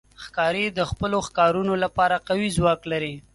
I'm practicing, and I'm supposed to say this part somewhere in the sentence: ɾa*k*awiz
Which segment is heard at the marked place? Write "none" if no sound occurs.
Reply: q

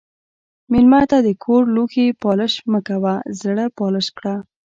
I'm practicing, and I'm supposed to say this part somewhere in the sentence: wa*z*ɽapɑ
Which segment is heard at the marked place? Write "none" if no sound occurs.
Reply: z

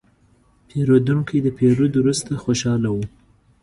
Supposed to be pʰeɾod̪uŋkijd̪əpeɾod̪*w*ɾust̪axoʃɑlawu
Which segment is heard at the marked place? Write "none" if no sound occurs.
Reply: w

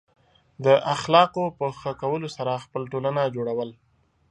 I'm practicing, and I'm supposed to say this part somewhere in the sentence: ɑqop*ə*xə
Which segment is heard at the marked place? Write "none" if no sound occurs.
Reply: ə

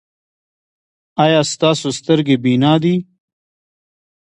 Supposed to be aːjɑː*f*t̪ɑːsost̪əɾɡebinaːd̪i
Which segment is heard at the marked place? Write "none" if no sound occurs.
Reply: s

